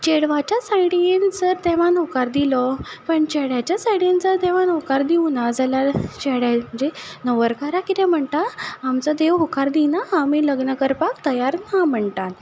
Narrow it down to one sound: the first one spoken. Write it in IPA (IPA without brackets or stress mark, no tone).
t͡ɕ